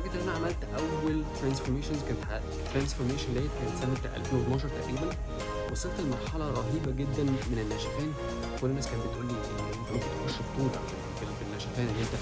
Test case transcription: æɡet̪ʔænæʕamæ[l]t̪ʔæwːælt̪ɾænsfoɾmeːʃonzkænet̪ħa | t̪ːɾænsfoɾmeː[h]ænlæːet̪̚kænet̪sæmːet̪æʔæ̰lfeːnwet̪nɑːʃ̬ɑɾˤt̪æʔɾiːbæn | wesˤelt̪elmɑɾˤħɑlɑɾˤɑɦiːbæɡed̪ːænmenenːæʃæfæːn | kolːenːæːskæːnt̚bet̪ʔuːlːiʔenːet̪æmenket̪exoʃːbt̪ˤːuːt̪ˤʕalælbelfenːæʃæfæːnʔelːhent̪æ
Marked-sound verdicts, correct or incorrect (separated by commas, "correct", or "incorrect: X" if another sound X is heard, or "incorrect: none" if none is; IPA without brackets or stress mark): correct, incorrect: ʃ